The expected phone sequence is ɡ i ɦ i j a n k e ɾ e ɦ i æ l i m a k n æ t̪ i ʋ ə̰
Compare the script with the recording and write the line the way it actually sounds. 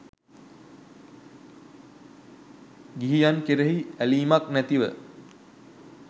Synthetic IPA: ɡ i ɦ i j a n k e ɾ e ɦ i æ l iː m a k n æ t̪ i ʋ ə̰